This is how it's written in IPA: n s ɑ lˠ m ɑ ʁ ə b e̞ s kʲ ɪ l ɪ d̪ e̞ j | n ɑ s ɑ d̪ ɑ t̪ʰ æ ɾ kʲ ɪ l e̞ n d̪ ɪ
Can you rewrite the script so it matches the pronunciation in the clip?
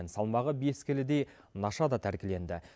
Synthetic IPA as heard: n s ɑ lˠ m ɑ ʁ ə b e̞ s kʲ ɪ l ɪ d̪ e̞ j | n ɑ ʃ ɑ d̪ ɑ t̪ʰ æ ɾ kʲ ɪ l e̞ n d̪ ɪ